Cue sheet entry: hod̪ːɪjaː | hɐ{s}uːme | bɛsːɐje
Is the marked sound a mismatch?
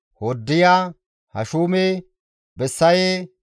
yes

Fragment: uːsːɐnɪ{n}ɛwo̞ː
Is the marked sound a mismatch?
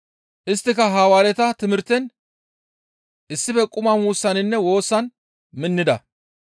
yes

